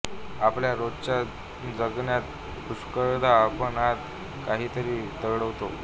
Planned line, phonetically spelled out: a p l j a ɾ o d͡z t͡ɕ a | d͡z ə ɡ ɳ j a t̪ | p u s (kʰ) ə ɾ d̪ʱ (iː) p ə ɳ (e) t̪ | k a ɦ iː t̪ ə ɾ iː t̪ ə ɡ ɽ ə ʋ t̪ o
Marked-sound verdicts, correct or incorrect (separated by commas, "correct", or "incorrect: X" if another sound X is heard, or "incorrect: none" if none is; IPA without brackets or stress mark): incorrect: k, incorrect: aː, incorrect: a